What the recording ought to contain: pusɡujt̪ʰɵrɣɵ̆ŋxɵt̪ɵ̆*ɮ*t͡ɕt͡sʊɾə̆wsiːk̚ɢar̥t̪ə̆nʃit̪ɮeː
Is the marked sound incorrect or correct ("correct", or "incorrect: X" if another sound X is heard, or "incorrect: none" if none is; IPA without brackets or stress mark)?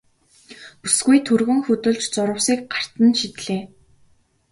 correct